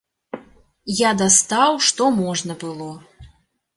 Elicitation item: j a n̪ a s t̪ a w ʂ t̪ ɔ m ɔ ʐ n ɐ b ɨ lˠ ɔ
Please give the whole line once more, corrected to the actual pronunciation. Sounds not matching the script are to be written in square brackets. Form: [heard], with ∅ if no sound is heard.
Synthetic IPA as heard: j a [d̪] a s t̪ a w ʂ t̪ ɔ m ɔ ʐ n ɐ b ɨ lˠ ɔ